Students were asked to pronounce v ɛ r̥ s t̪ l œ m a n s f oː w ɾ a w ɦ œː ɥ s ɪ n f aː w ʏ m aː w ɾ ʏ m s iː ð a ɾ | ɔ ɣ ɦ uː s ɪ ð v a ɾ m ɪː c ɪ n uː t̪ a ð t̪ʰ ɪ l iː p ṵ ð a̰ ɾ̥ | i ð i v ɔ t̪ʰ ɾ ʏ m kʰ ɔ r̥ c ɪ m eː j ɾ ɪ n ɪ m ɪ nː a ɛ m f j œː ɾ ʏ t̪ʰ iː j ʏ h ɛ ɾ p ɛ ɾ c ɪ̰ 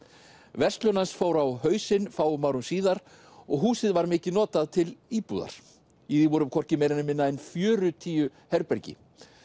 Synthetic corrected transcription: v ɛ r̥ s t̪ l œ n a n s f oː w ɾ a w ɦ œː ɥ s ɪ n f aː w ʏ m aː w ɾ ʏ m s iː ð a ɾ | ɔ ɣ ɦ uː s ɪ ð v a ɾ m ɪː c ɪ n ɔː t̪ a ð t̪ʰ ɪ l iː p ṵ ð a̰ ɾ̥ | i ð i v ɔ ɾ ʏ m kʰ ɔ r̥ c ɪ m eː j ɾ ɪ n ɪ m ɪ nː a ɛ n f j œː ɾ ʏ t̪ʰ iː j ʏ h ɛ ɾ p ɛ ɾ c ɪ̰